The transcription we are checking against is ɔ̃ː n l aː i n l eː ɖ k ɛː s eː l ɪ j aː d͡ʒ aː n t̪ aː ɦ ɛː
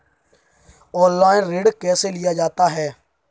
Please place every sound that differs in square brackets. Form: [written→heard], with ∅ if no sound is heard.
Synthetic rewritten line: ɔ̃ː n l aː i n [l→ɾ] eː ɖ k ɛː s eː l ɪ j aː d͡ʒ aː [n→∅] t̪ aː ɦ ɛː